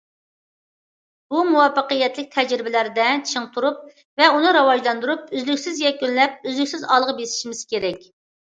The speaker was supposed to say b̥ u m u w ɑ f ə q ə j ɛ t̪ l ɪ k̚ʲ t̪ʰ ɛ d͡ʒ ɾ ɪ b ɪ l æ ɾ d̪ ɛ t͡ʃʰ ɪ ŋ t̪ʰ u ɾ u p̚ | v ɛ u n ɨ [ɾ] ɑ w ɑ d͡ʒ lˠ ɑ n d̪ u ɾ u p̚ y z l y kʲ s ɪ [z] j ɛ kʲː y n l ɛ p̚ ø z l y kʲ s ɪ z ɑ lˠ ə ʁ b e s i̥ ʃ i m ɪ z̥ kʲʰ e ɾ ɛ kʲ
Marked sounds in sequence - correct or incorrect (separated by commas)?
correct, correct